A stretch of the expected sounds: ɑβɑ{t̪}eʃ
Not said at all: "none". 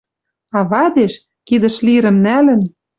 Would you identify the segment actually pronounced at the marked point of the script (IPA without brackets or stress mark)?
d̪